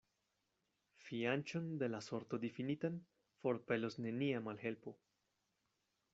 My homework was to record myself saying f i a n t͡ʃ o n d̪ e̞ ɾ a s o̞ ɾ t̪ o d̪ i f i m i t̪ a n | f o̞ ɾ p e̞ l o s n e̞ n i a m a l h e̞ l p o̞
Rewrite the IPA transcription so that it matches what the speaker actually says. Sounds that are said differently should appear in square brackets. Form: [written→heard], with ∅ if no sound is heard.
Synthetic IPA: f i a n t͡ʃ o n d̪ e̞ [ɾ→l] a s o̞ ɾ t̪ o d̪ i f i [m→n] i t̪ a n | f o̞ ɾ p e̞ l o s n e̞ n i a m a l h e̞ l p o̞